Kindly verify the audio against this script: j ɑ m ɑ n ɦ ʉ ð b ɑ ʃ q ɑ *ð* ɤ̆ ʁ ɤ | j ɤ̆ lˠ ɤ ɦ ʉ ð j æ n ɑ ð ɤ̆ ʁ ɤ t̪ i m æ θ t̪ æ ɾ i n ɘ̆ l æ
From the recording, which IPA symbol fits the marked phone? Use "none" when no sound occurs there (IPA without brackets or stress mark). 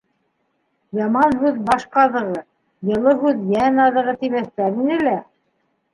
ð